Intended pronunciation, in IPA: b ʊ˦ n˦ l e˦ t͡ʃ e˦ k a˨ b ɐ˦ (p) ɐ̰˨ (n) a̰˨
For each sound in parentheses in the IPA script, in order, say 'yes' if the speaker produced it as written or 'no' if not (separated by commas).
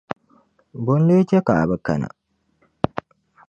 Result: no, yes